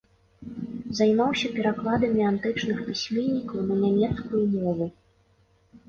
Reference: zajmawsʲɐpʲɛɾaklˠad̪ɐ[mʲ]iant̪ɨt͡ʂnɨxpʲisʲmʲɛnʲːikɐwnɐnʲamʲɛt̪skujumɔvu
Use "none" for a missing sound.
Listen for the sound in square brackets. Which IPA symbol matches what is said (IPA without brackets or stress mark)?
mʲ